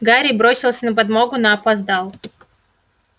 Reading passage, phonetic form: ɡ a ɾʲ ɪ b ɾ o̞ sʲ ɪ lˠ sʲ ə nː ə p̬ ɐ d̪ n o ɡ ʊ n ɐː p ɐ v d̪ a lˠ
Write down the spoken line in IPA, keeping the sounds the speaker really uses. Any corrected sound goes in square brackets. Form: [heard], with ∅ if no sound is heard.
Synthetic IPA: ɡ a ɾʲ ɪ b ɾ o̞ sʲ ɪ lˠ sʲ ə [n] ə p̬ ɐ d̪ [m] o ɡ ʊ n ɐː p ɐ [z] d̪ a lˠ